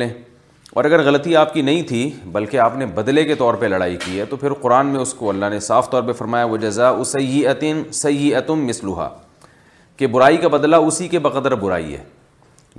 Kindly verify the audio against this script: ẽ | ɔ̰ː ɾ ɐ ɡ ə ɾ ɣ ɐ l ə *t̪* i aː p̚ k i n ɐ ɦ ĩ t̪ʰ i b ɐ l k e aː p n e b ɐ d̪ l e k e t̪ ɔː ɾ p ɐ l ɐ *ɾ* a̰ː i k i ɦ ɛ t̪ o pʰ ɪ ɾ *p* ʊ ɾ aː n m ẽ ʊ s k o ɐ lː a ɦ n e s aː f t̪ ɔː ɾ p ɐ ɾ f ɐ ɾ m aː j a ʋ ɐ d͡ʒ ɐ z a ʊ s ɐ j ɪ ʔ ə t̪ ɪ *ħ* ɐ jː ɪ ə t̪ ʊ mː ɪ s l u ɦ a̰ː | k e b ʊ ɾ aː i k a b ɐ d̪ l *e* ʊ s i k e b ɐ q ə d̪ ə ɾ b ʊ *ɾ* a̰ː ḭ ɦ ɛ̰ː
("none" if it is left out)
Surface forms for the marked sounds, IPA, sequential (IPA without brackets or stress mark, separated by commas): t̪, ɽ, q, s, a, ɾ